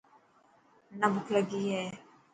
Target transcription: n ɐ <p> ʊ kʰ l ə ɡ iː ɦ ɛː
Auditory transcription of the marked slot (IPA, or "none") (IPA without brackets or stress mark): b